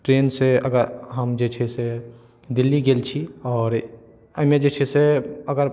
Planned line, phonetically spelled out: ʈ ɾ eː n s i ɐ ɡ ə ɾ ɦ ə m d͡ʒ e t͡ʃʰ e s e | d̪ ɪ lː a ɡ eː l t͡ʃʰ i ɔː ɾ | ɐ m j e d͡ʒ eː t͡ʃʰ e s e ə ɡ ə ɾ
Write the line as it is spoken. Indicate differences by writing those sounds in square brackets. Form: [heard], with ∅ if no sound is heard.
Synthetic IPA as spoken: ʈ ɾ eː n s [e] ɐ ɡ ə ɾ ɦ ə m d͡ʒ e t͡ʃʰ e s e | d̪ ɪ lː [i] ɡ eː l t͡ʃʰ i ɔː ɾ | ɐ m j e d͡ʒ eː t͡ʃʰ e s e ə ɡ ə ɾ